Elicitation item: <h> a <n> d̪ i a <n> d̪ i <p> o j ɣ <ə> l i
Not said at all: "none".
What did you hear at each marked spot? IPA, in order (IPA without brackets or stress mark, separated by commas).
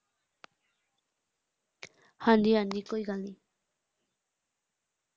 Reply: h, n, n, k, a